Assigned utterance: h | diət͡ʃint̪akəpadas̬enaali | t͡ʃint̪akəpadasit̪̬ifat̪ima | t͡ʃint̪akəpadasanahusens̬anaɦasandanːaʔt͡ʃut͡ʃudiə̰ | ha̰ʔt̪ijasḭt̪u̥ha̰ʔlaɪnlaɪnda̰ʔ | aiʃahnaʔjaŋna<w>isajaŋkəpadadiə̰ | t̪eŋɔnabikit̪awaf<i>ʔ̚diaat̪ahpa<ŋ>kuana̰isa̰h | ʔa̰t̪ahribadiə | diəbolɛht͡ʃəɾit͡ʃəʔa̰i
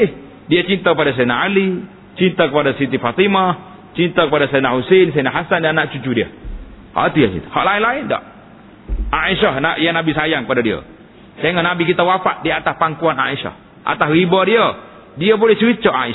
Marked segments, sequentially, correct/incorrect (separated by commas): incorrect, incorrect, correct